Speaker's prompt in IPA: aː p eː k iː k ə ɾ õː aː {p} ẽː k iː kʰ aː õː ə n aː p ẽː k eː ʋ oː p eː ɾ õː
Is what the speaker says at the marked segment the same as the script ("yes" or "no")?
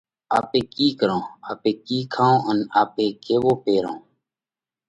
yes